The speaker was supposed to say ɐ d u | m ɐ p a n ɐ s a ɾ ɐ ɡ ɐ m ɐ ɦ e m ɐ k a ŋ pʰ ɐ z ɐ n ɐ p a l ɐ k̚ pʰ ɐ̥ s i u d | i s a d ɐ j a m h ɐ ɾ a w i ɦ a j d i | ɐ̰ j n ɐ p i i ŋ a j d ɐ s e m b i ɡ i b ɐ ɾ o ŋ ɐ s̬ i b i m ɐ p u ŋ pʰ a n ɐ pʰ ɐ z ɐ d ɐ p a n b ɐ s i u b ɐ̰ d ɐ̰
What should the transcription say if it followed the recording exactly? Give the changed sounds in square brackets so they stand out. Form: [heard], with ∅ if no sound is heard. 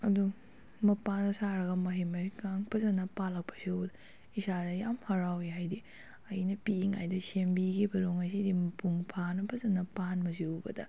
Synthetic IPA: ɐ d u | m ɐ p a n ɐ s a ɾ ɐ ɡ ɐ m ɐ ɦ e m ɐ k a ŋ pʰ ɐ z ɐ n ɐ p a l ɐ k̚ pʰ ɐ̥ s i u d | i s a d ɐ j a m h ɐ ɾ a w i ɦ a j d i | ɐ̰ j n ɐ p i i ŋ a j d ɐ s e m b i ɡ i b ɐ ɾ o ŋ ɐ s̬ i [d] i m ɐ p u ŋ pʰ a n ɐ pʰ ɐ z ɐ [n] ɐ p a n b ɐ s i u b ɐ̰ d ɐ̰